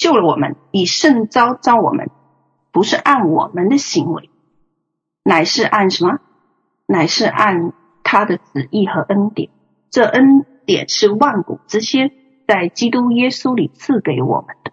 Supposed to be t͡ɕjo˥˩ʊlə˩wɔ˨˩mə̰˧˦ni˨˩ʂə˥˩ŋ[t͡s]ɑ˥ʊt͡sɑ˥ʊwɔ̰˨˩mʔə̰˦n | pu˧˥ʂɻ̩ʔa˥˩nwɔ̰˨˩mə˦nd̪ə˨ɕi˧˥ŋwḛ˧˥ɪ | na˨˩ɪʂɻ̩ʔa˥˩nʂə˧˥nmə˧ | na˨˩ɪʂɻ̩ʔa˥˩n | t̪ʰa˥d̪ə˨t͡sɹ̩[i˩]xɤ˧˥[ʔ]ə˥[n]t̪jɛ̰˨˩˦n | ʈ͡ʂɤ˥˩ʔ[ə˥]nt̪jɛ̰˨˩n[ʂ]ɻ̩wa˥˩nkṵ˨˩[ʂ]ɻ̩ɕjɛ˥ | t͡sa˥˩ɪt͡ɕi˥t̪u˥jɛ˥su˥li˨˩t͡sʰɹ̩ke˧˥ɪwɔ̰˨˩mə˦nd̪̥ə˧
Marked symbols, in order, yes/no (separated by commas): yes, no, yes, yes, yes, yes, no